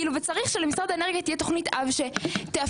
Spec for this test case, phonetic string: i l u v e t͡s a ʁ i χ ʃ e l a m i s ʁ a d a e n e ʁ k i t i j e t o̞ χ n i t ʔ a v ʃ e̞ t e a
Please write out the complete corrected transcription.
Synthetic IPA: i l u v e t͡s a ʁ i χ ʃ e l e m i s ʁ a d a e n e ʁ ɡ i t i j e t o̞ χ n i t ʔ a v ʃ e̞ t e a